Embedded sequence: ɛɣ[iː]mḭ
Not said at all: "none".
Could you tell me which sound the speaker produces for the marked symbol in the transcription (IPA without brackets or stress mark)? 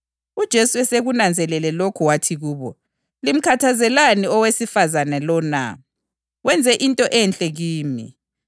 iː